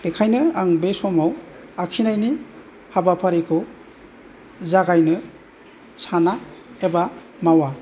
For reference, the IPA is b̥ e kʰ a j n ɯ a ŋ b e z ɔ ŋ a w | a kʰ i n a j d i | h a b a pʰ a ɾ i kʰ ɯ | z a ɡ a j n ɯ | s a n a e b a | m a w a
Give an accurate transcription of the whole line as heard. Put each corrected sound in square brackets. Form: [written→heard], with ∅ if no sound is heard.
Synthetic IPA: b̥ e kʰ a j n ɯ a ŋ b e [z→s] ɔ [ŋ→m] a w | a kʰ i n a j [d→n] i | h a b a pʰ a ɾ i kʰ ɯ | z a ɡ a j n ɯ | s a n a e b a | m a w a